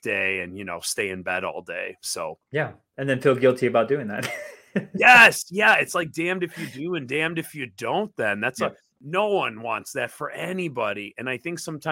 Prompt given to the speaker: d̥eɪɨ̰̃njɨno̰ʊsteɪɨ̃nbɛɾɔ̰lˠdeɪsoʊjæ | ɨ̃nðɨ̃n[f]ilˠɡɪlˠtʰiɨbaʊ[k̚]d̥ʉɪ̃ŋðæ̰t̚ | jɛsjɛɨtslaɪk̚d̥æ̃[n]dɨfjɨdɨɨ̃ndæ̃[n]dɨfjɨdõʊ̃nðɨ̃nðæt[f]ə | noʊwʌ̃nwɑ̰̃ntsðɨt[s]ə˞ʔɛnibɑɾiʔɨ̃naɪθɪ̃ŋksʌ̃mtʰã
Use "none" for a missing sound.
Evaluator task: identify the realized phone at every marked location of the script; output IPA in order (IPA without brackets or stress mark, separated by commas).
f, t̚, m, m, s, f